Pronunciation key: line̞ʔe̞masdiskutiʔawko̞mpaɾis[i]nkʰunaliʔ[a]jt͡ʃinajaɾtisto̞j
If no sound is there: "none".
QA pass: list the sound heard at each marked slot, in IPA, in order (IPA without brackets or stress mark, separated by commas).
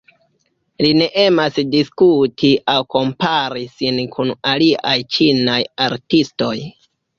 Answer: i, a